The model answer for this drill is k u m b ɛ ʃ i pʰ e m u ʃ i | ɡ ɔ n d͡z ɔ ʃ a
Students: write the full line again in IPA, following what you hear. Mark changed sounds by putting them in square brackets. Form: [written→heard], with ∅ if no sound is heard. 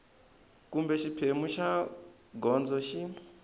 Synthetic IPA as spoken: k u m b ɛ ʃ i pʰ e m u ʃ [i→a] | ɡ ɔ n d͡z ɔ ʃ [a→i]